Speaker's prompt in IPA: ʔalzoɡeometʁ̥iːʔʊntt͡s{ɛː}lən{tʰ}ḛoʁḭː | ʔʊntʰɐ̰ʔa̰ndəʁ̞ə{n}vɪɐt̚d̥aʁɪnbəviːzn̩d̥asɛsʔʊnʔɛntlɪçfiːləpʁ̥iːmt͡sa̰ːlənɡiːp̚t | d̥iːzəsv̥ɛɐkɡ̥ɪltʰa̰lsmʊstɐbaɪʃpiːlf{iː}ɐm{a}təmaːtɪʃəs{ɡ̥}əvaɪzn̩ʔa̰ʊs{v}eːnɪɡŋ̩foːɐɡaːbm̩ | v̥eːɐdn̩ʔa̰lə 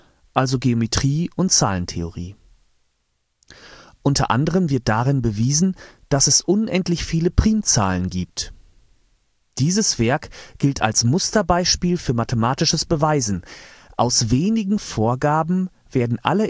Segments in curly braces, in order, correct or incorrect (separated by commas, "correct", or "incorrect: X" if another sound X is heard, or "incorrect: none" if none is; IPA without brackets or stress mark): incorrect: aː, correct, incorrect: m, incorrect: yː, correct, incorrect: b̥, correct